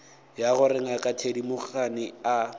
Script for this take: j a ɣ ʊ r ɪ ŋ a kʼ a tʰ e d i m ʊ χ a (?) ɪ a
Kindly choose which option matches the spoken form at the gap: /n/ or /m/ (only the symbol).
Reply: n